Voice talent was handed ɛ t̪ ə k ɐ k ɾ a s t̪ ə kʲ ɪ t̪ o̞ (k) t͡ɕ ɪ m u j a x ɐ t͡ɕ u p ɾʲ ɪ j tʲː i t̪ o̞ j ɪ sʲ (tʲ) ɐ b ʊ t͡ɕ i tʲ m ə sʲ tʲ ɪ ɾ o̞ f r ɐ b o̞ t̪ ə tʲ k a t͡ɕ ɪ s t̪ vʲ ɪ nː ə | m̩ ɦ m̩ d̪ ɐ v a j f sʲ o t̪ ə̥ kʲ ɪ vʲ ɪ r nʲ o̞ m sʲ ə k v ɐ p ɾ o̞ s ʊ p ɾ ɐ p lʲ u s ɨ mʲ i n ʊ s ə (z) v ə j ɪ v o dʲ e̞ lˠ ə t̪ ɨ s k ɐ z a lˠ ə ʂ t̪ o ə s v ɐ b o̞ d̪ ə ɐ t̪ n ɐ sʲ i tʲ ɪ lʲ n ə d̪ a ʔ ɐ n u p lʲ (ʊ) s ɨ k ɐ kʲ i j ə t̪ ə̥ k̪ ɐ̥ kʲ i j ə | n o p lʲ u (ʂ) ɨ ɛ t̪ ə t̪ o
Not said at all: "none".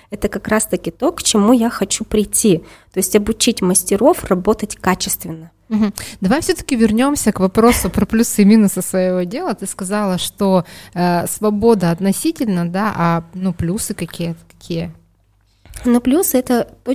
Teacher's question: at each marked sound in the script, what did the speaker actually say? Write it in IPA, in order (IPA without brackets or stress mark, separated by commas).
k, tʲ, s, u, s